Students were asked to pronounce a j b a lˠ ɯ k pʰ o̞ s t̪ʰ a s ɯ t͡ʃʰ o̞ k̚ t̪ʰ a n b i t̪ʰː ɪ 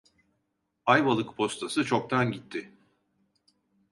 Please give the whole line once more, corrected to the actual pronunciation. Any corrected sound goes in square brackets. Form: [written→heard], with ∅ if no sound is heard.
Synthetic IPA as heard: a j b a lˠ ɯ k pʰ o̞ s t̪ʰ a s ɯ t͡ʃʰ o̞ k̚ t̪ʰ a n [b→ɟ] i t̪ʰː ɪ